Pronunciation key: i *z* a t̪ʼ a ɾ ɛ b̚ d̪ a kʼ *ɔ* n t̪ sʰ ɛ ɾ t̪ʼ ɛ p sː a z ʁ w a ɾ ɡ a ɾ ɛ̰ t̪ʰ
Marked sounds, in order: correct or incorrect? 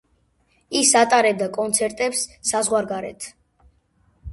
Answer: incorrect, correct

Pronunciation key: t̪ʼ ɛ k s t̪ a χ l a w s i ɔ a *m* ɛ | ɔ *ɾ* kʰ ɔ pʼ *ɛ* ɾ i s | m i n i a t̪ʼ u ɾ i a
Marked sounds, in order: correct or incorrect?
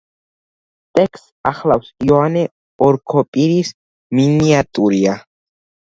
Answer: incorrect, correct, incorrect

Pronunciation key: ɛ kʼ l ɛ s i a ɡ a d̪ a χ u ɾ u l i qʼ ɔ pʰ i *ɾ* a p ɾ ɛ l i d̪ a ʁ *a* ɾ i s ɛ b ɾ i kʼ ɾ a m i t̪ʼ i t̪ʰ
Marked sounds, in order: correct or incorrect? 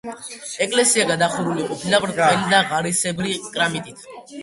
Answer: incorrect, correct

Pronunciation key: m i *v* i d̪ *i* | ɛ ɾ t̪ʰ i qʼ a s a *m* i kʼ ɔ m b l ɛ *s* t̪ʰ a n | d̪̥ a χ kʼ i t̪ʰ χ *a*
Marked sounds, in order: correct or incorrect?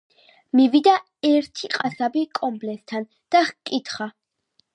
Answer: correct, incorrect, incorrect, correct, correct

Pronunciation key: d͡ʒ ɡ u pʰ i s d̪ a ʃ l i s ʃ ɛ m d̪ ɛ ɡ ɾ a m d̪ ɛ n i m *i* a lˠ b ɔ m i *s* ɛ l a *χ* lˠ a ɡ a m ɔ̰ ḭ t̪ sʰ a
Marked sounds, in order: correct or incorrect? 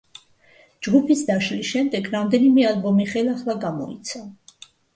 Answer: incorrect, incorrect, correct

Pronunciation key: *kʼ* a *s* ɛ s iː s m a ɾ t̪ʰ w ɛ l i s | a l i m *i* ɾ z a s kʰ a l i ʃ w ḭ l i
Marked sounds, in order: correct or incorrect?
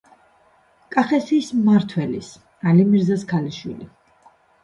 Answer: correct, incorrect, correct

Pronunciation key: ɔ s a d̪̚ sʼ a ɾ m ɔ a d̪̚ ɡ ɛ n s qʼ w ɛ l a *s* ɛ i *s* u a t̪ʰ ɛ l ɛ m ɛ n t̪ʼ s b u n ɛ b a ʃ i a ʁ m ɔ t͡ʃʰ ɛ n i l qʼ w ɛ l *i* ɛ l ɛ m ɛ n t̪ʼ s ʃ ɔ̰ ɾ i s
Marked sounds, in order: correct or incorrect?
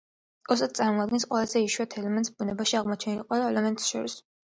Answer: incorrect, incorrect, incorrect

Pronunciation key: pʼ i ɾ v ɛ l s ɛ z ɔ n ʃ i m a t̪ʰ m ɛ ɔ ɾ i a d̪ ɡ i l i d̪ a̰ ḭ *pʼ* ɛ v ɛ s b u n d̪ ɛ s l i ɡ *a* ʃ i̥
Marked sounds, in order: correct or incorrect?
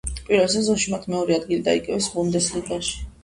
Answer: incorrect, correct

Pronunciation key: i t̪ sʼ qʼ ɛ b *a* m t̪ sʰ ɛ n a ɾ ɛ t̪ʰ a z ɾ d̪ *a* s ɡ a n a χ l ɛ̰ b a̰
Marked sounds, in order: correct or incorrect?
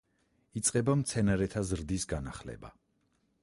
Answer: correct, incorrect

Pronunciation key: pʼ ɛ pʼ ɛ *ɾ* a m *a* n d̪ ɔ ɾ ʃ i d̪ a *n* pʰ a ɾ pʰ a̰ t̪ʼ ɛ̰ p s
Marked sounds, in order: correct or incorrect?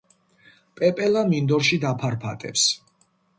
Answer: incorrect, incorrect, incorrect

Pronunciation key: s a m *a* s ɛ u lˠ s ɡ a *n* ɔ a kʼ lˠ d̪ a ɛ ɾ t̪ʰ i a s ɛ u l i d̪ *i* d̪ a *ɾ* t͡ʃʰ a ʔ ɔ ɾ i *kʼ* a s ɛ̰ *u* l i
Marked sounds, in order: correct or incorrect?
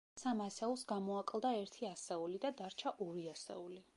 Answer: correct, incorrect, incorrect, correct, incorrect, correct

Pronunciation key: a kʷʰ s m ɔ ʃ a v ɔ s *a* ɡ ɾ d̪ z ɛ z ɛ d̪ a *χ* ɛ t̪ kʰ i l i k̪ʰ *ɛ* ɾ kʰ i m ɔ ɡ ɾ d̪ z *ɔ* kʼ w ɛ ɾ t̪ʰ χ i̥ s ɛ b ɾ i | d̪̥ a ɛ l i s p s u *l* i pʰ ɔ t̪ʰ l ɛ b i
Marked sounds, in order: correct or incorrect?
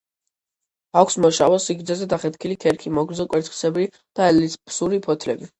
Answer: incorrect, correct, correct, correct, incorrect

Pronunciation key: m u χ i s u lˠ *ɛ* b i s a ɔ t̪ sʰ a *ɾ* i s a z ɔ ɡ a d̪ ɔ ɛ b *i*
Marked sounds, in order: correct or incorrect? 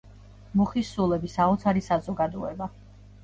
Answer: correct, correct, incorrect

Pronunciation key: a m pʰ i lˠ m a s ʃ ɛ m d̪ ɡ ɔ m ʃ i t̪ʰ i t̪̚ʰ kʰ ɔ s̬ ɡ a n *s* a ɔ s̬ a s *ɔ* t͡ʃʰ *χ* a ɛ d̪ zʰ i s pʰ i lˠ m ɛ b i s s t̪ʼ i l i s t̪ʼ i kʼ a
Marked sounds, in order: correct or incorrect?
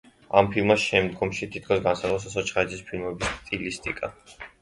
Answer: correct, correct, correct

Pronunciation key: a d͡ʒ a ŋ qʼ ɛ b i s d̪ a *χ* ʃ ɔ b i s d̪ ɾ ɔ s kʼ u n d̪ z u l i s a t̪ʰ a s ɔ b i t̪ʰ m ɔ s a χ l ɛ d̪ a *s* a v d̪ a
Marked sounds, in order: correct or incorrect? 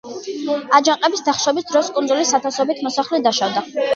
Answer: correct, incorrect

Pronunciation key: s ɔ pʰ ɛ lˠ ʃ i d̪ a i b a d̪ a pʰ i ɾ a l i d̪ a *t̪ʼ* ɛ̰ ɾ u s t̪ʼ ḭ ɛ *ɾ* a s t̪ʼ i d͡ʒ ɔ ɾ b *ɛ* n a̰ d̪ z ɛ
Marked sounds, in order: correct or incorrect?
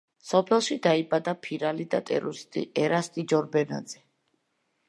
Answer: correct, correct, correct

